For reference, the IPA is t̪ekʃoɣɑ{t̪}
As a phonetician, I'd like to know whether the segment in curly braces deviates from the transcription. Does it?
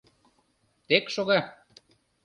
yes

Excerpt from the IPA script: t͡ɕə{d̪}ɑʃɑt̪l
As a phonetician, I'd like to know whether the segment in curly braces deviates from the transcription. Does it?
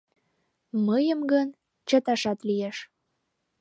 yes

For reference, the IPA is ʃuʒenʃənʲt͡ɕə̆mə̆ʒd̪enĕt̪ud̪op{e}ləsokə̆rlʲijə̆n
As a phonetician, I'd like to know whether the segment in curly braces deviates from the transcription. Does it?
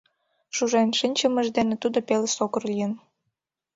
no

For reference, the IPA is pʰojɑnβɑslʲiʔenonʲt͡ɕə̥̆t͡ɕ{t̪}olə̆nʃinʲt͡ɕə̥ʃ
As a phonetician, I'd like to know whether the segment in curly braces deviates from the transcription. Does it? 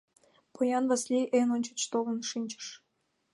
no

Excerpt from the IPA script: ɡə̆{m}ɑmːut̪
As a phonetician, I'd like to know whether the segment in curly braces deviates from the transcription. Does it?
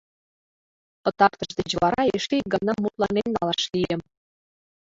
yes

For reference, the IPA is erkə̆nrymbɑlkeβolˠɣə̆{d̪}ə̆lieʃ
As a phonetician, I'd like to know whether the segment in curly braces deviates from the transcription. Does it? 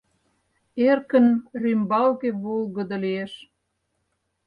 no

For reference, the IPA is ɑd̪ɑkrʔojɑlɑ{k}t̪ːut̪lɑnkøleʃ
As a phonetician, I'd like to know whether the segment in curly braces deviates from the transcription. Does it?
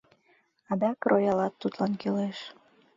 yes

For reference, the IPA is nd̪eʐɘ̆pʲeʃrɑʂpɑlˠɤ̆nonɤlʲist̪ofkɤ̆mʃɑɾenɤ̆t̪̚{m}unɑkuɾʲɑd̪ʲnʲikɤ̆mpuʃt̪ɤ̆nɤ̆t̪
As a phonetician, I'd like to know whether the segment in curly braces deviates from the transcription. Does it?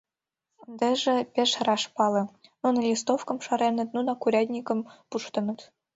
yes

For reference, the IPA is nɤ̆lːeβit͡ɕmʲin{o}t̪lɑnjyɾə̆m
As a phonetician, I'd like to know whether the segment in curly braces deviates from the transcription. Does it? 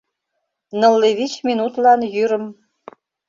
yes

